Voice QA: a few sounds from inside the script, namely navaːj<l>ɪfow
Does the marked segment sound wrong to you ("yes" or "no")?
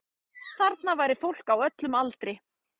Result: yes